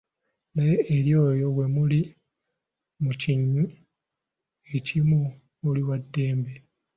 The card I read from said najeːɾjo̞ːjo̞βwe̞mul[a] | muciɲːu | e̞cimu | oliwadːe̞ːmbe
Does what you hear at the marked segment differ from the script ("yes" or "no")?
yes